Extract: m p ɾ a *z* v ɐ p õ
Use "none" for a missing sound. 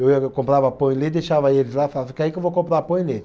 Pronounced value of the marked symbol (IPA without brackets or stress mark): none